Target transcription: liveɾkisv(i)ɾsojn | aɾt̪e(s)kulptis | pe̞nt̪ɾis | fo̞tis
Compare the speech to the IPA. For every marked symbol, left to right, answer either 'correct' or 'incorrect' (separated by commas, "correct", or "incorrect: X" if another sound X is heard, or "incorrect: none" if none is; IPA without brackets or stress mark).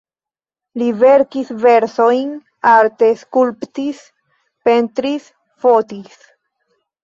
incorrect: e, correct